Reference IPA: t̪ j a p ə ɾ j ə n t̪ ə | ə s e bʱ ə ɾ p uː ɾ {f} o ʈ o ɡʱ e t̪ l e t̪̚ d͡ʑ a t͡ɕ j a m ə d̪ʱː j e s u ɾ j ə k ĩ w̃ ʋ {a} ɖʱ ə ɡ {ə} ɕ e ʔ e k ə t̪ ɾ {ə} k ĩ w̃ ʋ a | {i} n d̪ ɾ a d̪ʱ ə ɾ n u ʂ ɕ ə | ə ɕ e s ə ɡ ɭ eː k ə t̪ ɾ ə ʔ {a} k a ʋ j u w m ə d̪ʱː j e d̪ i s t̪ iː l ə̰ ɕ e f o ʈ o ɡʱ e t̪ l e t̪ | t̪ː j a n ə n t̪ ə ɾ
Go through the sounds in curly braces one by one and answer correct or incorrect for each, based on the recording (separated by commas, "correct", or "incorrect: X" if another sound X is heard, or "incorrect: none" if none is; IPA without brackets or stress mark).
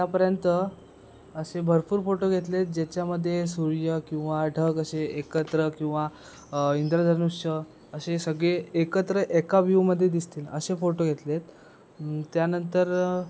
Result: correct, correct, correct, correct, correct, incorrect: e